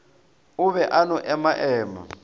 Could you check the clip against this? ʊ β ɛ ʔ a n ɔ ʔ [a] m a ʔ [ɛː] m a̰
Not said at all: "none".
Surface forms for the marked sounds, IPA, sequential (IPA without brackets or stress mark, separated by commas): ɛ, ɛː